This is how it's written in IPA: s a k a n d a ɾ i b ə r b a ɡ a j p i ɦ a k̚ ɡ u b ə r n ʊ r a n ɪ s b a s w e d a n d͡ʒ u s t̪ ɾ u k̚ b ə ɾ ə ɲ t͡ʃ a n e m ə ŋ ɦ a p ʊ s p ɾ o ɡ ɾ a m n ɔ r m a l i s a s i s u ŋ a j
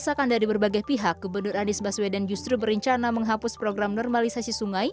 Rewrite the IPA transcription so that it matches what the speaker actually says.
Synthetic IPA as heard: s a k a n d a ɾ i b ə r b a ɡ a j p i ɦ a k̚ ɡ u b ə r n ʊ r a n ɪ s b a s w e d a n d͡ʒ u s t̪ ɾ u b ə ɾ ə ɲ t͡ʃ a n a m ə ŋ ɦ a p ʊ s p ɾ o ɡ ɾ a m n ɔ r m a l i s a s i s u ŋ a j